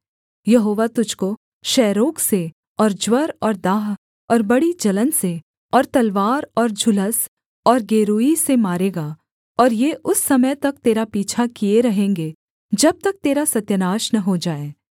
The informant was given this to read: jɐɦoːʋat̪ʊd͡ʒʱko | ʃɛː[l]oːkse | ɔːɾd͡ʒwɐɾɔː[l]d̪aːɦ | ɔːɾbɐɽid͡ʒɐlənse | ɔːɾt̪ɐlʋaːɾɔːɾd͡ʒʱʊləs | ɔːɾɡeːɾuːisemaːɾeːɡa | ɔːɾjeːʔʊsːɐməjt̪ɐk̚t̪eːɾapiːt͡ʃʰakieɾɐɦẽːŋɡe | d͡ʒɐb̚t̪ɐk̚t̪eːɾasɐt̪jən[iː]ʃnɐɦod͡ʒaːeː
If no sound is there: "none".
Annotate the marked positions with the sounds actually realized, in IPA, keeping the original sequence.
ɾ, ɾ, aː

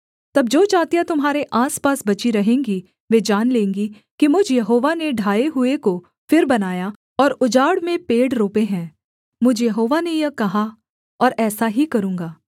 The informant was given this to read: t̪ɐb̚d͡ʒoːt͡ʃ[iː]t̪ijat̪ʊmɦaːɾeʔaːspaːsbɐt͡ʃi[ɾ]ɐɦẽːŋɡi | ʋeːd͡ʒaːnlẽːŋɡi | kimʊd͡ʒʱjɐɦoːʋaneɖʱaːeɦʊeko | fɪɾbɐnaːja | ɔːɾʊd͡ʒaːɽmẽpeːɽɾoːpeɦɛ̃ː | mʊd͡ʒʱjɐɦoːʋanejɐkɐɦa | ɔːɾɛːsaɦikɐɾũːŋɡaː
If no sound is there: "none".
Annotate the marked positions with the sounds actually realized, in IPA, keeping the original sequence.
aː, ɾ

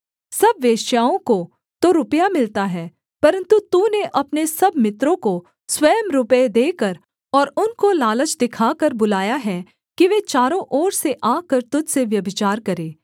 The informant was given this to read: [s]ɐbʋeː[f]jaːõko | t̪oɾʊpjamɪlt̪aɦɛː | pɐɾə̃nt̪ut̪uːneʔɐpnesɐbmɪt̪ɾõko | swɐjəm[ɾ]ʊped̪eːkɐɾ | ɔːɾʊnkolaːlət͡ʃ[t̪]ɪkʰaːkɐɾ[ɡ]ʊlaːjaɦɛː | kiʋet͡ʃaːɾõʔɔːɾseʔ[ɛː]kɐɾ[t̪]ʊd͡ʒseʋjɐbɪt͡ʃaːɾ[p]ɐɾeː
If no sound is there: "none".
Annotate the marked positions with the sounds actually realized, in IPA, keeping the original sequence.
s, ʃ, ɾ, d̪, b, aː, t̪, k

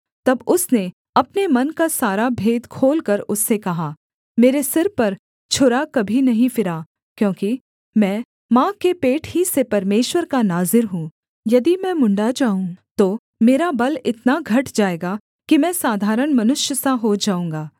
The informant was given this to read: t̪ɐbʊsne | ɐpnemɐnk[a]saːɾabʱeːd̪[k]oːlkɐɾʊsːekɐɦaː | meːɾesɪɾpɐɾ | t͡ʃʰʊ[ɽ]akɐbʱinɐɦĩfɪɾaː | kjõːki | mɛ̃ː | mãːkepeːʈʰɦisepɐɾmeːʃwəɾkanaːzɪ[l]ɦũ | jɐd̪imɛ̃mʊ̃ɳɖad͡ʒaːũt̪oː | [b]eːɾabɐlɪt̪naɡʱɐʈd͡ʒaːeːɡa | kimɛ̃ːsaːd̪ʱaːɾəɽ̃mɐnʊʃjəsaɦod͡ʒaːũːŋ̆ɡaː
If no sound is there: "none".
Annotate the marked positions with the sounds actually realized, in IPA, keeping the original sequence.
a, kʰ, ɾ, ɾ, m

